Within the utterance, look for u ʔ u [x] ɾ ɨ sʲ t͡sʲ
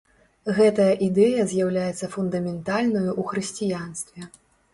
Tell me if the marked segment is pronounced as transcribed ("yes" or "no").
yes